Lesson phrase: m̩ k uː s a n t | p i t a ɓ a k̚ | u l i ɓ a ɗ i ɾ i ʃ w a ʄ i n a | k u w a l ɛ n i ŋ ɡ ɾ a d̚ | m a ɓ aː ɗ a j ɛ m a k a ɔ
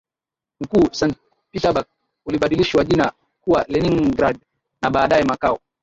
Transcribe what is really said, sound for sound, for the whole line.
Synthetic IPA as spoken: m̩ k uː s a n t | p i t a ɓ a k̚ | u l i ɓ a ɗ i l i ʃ w a ʄ i n a | k u w a l ɛ n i ŋ ɡ ɾ a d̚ | n a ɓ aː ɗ a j ɛ m a k a ɔ

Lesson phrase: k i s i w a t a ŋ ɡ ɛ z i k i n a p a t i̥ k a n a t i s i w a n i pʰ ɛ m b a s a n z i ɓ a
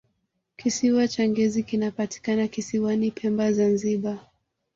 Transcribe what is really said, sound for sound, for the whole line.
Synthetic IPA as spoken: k i s i w a t͡ʃ a ŋ ɡ ɛ z i k i n a p a t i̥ k a n a k i s i w a n i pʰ ɛ m b a z a n z i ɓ a

